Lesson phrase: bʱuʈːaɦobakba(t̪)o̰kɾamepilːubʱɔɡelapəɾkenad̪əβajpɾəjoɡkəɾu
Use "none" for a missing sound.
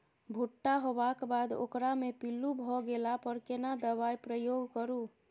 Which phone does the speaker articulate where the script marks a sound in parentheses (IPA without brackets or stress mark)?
d̪